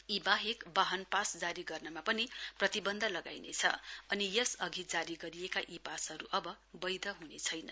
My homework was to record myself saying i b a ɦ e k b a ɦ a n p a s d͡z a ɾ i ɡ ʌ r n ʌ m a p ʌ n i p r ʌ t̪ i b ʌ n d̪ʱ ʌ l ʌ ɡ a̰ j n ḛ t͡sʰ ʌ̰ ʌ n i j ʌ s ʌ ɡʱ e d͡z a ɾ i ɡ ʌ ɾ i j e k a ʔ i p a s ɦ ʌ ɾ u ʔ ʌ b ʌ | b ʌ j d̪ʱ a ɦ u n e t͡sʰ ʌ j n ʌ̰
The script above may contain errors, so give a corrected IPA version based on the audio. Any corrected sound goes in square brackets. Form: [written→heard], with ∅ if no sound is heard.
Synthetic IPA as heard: i b a ɦ e k b a ɦ [a→ʌ] n p a s d͡z a ɾ i ɡ ʌ r n ʌ m a p ʌ n i p r ʌ t̪ i b ʌ n d̪ʱ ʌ l ʌ ɡ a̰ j n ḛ t͡sʰ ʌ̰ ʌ n i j ʌ s ʌ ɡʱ [e→i] d͡z a ɾ i ɡ ʌ ɾ i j e k a ʔ i p a s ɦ ʌ ɾ u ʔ ʌ b ʌ | b ʌ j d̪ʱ [a→ʌ] ɦ u n e t͡sʰ ʌ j n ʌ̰

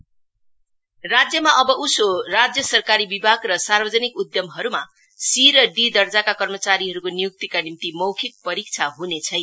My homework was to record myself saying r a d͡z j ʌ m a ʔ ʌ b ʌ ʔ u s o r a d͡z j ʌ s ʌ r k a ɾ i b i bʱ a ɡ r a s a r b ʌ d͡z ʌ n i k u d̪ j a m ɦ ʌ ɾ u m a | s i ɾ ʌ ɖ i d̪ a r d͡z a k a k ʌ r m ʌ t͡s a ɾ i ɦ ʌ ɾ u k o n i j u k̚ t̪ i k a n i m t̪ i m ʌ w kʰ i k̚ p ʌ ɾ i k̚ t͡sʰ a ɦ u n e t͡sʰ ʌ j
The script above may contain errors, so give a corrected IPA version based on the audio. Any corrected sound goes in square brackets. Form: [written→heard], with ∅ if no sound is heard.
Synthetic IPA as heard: r a d͡z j ʌ m a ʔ ʌ b ʌ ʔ u s o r a d͡z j ʌ s ʌ r k a ɾ i b i bʱ a ɡ r [a→ʌ] s a r b ʌ d͡z ʌ n i k u d̪ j [a→ʌ] m ɦ ʌ ɾ u m a | s i ɾ ʌ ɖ i d̪ [a→ʌ] r d͡z a k a k ʌ r m ʌ t͡s a ɾ i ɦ ʌ ɾ u k o n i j u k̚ t̪ i k a n i m t̪ i m ʌ w kʰ i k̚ p ʌ ɾ i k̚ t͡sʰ a ɦ u n e t͡sʰ ʌ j

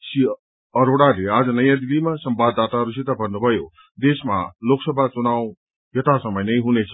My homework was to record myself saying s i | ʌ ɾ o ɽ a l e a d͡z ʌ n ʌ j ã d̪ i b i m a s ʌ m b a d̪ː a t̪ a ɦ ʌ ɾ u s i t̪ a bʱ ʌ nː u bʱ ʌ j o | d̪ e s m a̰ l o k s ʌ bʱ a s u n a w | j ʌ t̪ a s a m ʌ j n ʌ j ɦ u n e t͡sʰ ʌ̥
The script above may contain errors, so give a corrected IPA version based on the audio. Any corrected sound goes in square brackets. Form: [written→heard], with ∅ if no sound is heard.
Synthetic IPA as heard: s i | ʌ ɾ o ɽ a l e a d͡z ʌ n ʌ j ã d̪ i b i m a s ʌ m b a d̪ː a t̪ a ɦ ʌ ɾ u s i t̪ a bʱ ʌ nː u bʱ ʌ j o | d̪ e s m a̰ l o k s ʌ bʱ a [s→t͡s] u n a w | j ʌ t̪ a s [a→ʌ] m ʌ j n ʌ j ɦ u n e t͡sʰ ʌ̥

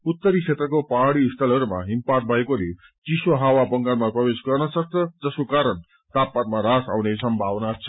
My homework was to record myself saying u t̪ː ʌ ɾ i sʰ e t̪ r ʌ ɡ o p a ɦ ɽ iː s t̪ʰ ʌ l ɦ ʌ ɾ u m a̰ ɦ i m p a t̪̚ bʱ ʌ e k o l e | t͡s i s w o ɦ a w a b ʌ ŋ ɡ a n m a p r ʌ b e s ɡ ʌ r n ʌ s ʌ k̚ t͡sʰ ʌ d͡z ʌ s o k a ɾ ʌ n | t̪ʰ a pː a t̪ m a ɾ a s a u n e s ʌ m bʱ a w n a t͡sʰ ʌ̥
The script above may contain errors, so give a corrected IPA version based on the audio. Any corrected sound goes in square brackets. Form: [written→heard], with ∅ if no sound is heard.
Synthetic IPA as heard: u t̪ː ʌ ɾ i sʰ e t̪ r ʌ [ɡ→k] o p a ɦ ɽ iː s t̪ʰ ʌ l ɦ ʌ ɾ u m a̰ ɦ i m p a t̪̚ bʱ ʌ e k o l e | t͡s i s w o ɦ a w a b ʌ ŋ ɡ a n m a p r ʌ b e s ɡ ʌ r n ʌ s ʌ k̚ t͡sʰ ʌ d͡z ʌ s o k a ɾ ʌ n | [t̪ʰ→t̪] a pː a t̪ m a ɾ a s a [u→w] n e s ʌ m bʱ a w n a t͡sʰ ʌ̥

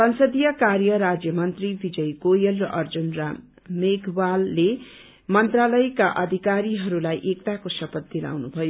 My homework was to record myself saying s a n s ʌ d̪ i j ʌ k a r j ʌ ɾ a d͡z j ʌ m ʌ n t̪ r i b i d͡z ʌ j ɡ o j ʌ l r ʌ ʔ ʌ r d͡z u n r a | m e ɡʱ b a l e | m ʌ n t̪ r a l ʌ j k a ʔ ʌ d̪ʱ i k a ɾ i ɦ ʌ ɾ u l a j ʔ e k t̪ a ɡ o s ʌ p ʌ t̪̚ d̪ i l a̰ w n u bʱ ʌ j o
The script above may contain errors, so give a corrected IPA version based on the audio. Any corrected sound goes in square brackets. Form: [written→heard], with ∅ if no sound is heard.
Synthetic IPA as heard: s [a→ʌ] n s ʌ d̪ i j ʌ k a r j ʌ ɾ a d͡z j ʌ m ʌ n t̪ r i b i d͡z ʌ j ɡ o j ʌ l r ʌ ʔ ʌ r d͡z u n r a | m e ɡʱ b a [l→lː] e | m ʌ n t̪ r a l ʌ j k a ʔ ʌ d̪ʱ i k a ɾ i ɦ ʌ ɾ u l a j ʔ e k t̪ a [ɡ→k] o s ʌ p ʌ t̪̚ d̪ i l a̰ w n u bʱ ʌ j o

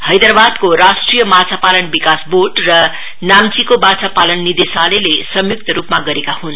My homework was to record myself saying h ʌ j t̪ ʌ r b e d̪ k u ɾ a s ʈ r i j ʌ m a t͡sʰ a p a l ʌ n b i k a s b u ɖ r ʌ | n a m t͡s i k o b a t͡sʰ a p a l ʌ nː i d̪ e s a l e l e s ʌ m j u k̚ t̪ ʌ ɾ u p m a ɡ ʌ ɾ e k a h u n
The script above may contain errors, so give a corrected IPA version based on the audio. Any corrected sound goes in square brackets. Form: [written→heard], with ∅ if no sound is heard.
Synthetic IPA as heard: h ʌ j [t̪→d̪] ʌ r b [e→a] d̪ k [u→o] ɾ a s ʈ r i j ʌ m a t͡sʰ a p a l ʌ n b i k a s b [u→o] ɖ r ʌ | n a m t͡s i k o b a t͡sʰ a p a l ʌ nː i d̪ e s a l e l e s ʌ m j u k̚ t̪ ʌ ɾ u p m a ɡ ʌ ɾ e k a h u n

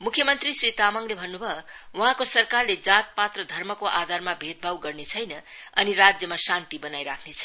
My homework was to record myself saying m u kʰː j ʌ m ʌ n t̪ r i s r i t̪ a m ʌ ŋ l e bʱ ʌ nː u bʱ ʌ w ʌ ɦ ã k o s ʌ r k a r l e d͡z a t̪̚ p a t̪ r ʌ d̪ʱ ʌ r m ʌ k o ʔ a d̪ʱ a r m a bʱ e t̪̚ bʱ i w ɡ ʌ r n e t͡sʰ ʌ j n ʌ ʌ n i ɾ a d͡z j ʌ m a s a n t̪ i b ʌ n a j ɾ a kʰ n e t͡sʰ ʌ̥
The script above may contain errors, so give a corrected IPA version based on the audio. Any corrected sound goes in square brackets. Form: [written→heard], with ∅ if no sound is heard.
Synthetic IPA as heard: m u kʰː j ʌ m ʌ n t̪ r i s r i t̪ a m ʌ ŋ l e bʱ ʌ nː u bʱ ʌ w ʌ ɦ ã k o s ʌ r k a r l e d͡z a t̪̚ p a t̪ r ʌ d̪ʱ ʌ r m ʌ k o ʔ a d̪ʱ a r m a bʱ e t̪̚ bʱ [i→a] w ɡ ʌ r n e t͡sʰ ʌ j n ʌ ʌ n i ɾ a d͡z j ʌ m a s a n t̪ i b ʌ n a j ɾ a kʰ n e t͡sʰ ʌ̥

